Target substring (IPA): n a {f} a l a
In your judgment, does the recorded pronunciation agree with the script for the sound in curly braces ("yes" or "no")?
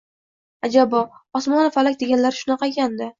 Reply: yes